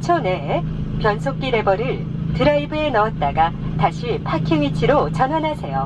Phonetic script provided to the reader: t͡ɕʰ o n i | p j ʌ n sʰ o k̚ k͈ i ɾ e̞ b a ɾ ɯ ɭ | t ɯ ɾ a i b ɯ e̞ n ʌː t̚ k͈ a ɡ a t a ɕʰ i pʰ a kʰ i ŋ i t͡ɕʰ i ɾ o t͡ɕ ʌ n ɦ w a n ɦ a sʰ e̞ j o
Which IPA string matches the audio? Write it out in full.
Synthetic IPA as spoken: t͡ɕʰ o n e | p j ʌ n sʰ o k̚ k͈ i ɾ e̞ b ʌ ɾ ɯ ɭ | t ɯ ɾ a i b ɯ e̞ n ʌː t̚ t͈ a ɡ a t a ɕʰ i pʰ a kʰ i ŋ i t͡ɕʰ i ɾ o t͡ɕ ʌ n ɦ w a n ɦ a sʰ e̞ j o

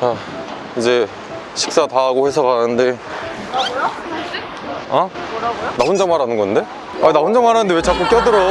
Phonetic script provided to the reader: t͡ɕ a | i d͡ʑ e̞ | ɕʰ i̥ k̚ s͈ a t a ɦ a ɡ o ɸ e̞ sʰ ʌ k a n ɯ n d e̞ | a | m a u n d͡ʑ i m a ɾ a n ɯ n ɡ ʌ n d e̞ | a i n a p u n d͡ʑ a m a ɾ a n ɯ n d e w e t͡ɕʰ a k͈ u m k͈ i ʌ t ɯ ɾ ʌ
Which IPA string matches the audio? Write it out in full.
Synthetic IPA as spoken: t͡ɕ a | i d͡ʑ e̞ | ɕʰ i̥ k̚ s͈ a t a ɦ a ɡ o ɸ e̞ sʰ ʌ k a n ɯ n d e̞ | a | n a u n d͡ʑ a m a ɾ a n ɯ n ɡ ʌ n d e̞ | a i n a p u n d͡ʑ a m a ɾ a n ɯ n d e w e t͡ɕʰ a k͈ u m k͈ j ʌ d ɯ ɾ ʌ

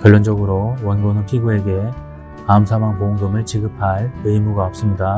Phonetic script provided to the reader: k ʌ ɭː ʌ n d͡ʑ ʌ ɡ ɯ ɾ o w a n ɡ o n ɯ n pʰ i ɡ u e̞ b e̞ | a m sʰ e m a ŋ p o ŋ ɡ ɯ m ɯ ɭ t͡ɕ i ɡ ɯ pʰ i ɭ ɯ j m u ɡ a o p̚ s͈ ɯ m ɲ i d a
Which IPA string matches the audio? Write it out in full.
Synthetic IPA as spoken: k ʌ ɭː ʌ n d͡ʑ ʌ ɡ ɯ ɾ o w ʌ n ɡ o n ɯ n pʰ i ɡ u e̞ ɡ e̞ | a m sʰ a m a ŋ p o ŋ ɡ ɯ m ɯ ɭ t͡ɕ i ɡ ɯ pʰ a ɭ ɯ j m u ɡ a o p̚ s͈ ɯ m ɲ i d a

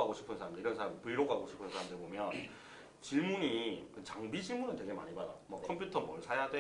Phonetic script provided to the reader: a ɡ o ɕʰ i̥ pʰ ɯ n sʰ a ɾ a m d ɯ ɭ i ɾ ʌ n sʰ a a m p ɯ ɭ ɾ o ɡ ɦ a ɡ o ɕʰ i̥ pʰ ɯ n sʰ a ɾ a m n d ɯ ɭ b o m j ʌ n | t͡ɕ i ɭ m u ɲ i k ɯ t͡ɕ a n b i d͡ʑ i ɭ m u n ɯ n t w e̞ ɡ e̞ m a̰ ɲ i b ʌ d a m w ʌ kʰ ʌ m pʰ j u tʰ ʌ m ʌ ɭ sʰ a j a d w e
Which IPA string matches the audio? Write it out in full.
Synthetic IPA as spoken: a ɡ o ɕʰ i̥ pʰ ɯ n sʰ a ɾ a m d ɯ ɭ i ɾ ʌ n sʰ a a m p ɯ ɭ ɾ o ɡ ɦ a ɡ o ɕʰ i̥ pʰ ɯ n sʰ a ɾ a m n d ɯ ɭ b o m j ʌ n | t͡ɕ i ɭ m u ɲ i k ɯ t͡ɕ a ŋ b i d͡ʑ i ɭ m u n ɯ n t w e̞ ɡ e̞ m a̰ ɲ i b a d a m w ʌ kʰ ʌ m pʰ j u tʰ ʌ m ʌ ɭ sʰ a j a d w e

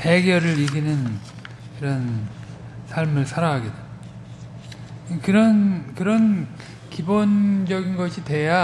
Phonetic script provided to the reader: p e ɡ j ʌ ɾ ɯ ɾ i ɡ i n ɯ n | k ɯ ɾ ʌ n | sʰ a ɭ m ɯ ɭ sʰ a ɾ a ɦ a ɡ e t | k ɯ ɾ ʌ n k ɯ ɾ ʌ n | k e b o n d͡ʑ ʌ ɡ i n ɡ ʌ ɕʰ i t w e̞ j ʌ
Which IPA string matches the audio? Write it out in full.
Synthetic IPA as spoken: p e ɡ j ʌ ɾ ɯ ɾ i ɡ i n ɯ n | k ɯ ɾ ʌ n | sʰ a ɭ m ɯ ɭ sʰ a ɾ a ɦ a ɡ e t | k ɯ ɾ ʌ n k ɯ ɾ ʌ n | k i b o n d͡ʑ ʌ ɡ i n ɡ ʌ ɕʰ i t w e̞ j a

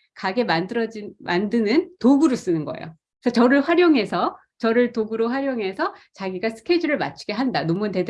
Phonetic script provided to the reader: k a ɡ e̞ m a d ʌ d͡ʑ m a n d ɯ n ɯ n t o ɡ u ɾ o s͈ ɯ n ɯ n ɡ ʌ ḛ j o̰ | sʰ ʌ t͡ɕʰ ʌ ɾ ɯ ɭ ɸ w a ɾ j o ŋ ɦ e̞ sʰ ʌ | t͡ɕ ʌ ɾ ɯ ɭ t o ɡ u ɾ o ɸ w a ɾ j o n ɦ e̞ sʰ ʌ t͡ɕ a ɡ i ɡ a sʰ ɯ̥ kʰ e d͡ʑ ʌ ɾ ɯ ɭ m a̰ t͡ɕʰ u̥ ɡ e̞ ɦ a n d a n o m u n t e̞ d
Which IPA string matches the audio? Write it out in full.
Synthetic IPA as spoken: k a ɡ e̞ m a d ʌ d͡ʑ m a n d ɯ n ɯ n t o ɡ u ɾ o s͈ ɯ n ɯ n ɡ ʌ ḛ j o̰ | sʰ ʌ t͡ɕ ʌ ɾ ɯ ɭ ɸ w a ɾ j o ŋ ɦ e̞ sʰ ʌ | t͡ɕ ʌ ɾ ɯ ɭ t o ɡ u ɾ o ɸ w a ɾ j o ŋ ɦ e̞ sʰ ʌ t͡ɕ a ɡ i ɡ a sʰ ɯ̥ kʰ e d͡ʑ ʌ ɾ ɯ ɭ m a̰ t͡ɕʰ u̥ ɡ e̞ ɦ a n d a n o m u n t e̞ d

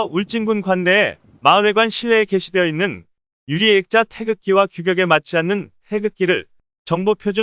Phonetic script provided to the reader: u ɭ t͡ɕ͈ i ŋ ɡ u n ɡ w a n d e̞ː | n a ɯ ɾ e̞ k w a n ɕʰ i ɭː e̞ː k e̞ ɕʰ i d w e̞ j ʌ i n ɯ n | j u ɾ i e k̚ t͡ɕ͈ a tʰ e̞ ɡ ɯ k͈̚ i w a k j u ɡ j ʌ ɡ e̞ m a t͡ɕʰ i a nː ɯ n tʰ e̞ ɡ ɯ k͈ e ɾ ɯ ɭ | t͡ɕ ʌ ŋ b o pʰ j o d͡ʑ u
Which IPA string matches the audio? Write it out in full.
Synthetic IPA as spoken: u ɭ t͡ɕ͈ i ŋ ɡ u n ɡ w a n d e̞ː | m a ɯ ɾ e̞ ɡ w a n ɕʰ i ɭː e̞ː k e̞ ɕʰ i d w e̞ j ʌ i nː ɯ n | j u ɾ i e k̚ t͡ɕ͈ a tʰ e̞ ɡ ɯ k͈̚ i w a k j u ɡ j ʌ ɡ e̞ m a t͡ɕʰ i a nː ɯ n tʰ e̞ ɡ ɯ k͈ i ɾ ɯ ɭ | t͡ɕ ʌ ŋ b o pʰ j o d͡ʑ u

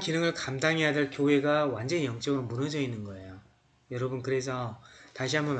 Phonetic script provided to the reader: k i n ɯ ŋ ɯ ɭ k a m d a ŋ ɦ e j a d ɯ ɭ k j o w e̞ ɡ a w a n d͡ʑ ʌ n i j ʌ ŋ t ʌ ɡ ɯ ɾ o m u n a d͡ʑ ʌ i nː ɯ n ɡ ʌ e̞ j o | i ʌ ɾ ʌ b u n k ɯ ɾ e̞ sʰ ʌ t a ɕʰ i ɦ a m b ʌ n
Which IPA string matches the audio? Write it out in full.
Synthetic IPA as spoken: k i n ɯ ŋ ɯ ɭ k a m d a ŋ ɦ e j a d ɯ ɭ k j o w e̞ ɡ a w a n d͡ʑ ʌ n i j ʌ ŋ t͡ɕ͈ ʌ ɡ ɯ ɾ o m u n ʌ d͡ʑ ʌ i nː ɯ n ɡ ʌ e̞ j o | j ʌ ɾ ʌ b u n k ɯ ɾ e̞ sʰ ʌ t a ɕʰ i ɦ a m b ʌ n

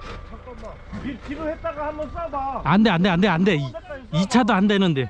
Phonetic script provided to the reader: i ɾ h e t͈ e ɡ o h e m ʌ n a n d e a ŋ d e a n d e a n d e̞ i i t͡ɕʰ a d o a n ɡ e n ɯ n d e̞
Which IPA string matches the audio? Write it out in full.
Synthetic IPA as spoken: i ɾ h e t͈ a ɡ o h a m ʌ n a n d e a n d e a n d e a n d e̞ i i t͡ɕʰ a d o a n d e n ɯ n d e̞

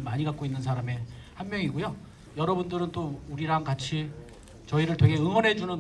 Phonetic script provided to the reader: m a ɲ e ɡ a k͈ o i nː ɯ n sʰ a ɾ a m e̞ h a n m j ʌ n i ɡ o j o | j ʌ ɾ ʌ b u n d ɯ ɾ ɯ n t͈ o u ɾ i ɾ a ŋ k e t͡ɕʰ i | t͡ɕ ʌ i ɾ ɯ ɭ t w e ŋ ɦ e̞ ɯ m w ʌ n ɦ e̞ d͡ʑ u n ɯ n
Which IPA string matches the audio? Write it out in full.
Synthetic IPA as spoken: m a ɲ i ɡ a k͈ o i nː ɯ n sʰ a ɾ a m e̞ h a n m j ʌ ŋ i ɡ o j o | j ʌ ɾ ʌ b u n d ɯ ɾ ɯ n t͈ o u ɾ i ɾ a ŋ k a t͡ɕʰ i | t͡ɕ ʌ i ɾ ɯ ɭ t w e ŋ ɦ e̞ ɯ ŋ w ʌ n ɦ e̞ d͡ʑ u n ɯ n

